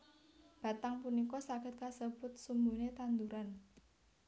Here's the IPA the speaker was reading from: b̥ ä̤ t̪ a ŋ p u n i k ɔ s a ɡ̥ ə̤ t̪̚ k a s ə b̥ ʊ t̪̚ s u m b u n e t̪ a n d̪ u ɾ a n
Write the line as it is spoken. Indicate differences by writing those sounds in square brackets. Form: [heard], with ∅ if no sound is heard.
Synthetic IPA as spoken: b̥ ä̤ t̪ a ŋ p u n i k ɔ s a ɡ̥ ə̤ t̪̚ k a s ə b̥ ʊ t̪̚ s u m b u n e t̪ a n d̪ u ɾ a n